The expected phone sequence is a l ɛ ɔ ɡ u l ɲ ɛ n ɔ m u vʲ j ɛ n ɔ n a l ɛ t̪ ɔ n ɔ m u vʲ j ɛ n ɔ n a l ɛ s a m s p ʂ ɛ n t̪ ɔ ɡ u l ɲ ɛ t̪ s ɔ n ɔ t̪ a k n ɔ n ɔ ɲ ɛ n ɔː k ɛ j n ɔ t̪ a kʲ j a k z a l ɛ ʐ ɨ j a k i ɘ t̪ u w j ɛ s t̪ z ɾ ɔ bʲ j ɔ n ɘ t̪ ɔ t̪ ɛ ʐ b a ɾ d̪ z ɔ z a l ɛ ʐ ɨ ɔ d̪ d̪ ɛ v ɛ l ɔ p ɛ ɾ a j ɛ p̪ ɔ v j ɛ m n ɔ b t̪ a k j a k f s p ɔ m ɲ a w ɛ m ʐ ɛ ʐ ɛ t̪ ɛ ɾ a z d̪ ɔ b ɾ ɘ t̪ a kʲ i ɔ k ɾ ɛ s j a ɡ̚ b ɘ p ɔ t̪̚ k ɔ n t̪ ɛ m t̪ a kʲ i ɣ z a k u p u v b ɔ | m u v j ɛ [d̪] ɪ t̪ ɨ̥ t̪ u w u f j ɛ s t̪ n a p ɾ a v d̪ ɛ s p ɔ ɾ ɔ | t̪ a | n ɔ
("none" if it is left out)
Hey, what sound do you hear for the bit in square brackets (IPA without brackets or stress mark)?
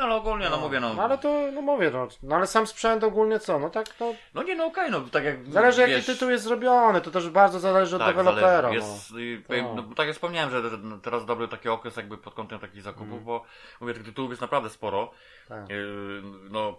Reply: t̪